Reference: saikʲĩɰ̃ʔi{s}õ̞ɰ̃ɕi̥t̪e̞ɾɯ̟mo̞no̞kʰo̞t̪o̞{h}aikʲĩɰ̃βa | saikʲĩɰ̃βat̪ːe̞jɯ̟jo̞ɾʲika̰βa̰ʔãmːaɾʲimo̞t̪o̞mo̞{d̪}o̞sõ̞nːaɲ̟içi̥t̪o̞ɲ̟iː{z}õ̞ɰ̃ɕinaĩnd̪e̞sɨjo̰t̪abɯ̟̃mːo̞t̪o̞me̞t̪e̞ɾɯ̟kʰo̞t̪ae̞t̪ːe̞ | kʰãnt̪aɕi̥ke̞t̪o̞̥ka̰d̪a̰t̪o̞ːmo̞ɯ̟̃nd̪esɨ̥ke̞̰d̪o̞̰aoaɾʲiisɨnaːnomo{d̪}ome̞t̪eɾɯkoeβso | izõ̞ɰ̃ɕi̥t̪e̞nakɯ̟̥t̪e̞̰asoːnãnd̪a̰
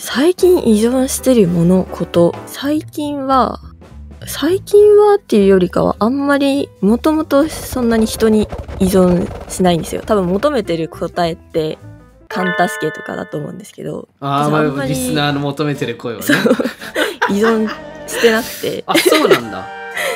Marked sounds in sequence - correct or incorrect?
incorrect: z, incorrect: s, incorrect: t̪, correct, incorrect: t̪

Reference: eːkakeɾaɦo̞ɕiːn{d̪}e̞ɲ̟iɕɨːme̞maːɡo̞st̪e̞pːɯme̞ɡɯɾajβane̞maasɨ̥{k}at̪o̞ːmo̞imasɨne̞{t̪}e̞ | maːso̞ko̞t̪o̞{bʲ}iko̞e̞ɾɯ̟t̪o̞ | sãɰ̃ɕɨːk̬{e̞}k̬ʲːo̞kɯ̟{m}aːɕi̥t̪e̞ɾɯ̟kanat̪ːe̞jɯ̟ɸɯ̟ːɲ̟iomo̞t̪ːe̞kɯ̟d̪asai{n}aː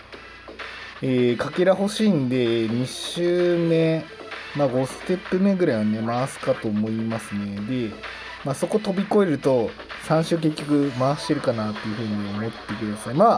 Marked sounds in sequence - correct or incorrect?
correct, correct, incorrect: d̪, correct, correct, correct, incorrect: m

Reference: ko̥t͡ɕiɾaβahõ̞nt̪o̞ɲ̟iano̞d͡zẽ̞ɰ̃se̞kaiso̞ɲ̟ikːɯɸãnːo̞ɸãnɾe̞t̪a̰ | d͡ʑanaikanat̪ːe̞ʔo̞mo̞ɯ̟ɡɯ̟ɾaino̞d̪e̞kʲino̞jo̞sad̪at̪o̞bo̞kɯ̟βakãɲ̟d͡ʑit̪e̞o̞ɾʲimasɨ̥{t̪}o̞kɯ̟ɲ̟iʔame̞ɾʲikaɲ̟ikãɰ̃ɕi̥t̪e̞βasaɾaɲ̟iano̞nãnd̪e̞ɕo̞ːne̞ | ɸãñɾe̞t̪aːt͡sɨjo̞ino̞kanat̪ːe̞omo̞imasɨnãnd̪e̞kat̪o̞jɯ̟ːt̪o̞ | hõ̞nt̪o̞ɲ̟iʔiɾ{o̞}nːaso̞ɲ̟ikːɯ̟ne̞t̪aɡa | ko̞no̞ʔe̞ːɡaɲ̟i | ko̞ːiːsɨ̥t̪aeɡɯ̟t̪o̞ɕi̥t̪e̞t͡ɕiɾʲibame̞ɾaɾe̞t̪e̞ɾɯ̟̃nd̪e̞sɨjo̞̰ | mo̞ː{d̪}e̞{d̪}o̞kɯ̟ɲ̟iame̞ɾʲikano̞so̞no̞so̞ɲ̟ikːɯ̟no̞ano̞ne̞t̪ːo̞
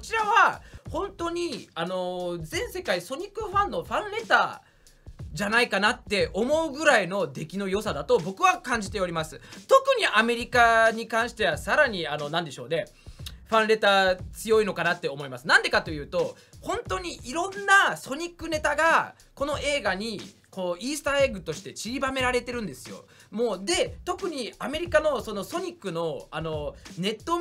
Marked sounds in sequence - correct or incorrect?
correct, incorrect: õ̞, correct, incorrect: t̪

